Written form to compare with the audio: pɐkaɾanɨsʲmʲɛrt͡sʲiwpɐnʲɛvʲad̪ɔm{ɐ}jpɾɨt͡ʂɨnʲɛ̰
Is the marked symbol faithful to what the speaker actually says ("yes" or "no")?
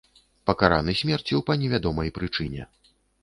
yes